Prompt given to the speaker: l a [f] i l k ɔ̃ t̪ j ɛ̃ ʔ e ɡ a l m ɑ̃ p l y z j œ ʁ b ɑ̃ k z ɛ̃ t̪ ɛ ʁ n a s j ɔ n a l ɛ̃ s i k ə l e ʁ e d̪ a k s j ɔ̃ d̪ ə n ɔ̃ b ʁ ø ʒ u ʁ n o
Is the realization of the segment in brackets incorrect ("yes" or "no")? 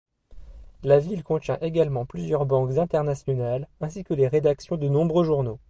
yes